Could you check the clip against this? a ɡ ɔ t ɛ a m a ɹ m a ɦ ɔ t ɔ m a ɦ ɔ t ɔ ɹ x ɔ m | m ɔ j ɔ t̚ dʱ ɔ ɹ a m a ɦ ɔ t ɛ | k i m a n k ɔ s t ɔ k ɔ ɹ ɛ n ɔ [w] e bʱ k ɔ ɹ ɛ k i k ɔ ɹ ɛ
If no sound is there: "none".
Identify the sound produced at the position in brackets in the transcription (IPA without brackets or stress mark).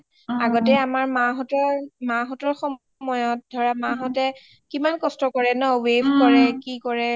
w